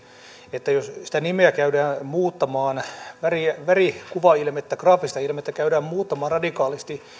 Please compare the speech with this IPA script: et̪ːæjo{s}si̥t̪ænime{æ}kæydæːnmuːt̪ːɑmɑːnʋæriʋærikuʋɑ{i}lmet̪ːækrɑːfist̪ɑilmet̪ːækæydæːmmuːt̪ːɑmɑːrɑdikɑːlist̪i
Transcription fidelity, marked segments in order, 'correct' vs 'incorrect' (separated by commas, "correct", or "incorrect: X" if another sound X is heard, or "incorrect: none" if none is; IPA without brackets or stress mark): correct, correct, correct